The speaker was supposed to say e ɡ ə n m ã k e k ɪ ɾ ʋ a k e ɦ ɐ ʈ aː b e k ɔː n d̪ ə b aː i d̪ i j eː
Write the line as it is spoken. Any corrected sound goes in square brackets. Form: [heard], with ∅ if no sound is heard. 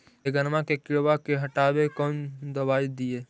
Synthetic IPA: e ɡ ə n m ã k e k ɪ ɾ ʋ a k e ɦ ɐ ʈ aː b e k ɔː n d̪ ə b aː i d̪ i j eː

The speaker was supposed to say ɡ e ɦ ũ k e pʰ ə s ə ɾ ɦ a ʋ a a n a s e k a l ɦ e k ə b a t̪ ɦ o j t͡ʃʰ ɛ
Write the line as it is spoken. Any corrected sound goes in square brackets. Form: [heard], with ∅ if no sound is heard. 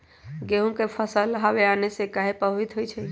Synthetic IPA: ɡ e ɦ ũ k e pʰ ə s ə [l] ɦ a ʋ [e] a n [e] s e k a [∅] ɦ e [p] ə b [i] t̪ ɦ o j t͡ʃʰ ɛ

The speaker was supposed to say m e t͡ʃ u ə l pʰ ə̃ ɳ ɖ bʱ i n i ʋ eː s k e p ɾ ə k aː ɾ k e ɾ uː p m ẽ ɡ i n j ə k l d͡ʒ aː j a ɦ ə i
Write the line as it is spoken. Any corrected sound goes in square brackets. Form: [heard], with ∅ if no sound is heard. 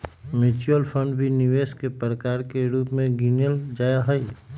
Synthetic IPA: m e t͡ʃ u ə l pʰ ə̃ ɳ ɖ bʱ i n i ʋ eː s k e p ɾ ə k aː ɾ k e ɾ uː p m ẽ ɡ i n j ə [∅] l d͡ʒ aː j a ɦ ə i

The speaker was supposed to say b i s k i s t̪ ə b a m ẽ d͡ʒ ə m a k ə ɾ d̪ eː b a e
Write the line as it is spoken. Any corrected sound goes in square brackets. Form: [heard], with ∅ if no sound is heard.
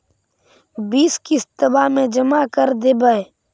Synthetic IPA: b [iː] s k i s t̪ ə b a m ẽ d͡ʒ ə m a k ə ɾ d̪ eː b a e

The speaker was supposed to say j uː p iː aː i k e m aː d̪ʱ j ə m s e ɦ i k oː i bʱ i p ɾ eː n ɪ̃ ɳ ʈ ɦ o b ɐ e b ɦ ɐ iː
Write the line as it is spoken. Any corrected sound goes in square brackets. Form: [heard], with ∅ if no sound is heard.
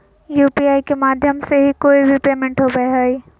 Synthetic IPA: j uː p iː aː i k e m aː d̪ʱ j ə m s e ɦ i k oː i bʱ i p ɾ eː [m] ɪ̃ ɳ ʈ ɦ o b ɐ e [∅] ɦ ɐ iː

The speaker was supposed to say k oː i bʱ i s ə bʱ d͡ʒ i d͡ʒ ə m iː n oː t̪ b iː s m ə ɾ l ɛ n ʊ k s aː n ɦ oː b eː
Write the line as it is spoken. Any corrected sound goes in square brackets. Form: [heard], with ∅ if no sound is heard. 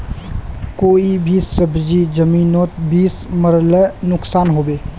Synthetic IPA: k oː i bʱ i s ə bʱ d͡ʒ i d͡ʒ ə m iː n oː t̪ b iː s m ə ɾ l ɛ n ʊ k s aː n ɦ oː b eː

